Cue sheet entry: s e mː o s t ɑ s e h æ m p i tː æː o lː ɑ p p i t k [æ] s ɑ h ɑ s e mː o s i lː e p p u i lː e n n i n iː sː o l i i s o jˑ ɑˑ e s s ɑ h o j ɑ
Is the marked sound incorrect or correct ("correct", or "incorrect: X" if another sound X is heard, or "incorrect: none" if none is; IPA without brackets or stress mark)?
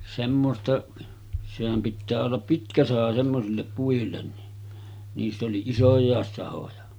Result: correct